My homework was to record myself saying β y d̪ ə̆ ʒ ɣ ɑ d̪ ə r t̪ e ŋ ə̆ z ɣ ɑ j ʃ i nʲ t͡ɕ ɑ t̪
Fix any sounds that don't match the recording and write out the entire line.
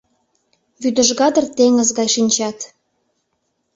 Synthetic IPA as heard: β y d̪ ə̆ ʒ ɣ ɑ d̪ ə r t̪ e ŋ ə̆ z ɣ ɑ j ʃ i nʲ t͡ɕ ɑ t̪